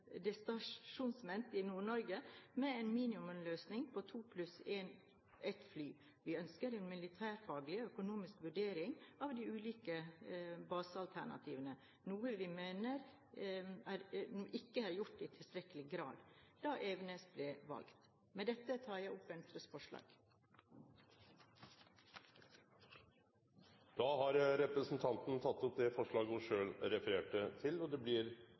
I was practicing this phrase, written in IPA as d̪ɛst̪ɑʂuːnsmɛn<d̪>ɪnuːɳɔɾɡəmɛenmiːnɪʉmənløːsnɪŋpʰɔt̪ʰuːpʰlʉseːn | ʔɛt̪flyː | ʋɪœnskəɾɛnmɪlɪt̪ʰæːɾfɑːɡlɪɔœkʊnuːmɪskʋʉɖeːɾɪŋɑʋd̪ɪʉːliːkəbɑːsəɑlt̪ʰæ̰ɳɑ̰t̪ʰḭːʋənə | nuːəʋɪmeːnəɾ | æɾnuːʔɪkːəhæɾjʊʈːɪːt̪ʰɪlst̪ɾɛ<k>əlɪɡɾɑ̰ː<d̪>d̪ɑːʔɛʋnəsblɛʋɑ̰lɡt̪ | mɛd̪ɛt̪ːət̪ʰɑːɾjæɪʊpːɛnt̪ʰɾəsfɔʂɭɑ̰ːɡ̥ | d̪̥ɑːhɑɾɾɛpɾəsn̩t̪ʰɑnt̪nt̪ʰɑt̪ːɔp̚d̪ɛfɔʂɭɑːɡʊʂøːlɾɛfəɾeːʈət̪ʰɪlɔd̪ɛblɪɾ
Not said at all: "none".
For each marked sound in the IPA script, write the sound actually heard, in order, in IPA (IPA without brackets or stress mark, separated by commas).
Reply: t̪, k, d̪